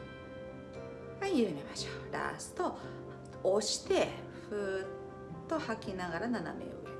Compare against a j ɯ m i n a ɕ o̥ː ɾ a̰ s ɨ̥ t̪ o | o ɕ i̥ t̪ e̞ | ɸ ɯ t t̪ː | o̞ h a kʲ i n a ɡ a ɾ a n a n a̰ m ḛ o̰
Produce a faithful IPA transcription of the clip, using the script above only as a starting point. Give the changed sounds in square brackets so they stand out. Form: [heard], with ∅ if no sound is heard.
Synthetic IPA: a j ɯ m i [m] a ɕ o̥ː ɾ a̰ s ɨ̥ t̪ o | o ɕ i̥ t̪ e̞ | ɸ ɯ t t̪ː | o̞ h a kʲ i n a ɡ a ɾ a n a n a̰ m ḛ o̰